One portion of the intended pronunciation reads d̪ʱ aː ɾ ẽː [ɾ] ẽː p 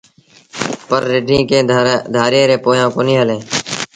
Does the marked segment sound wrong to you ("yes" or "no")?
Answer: no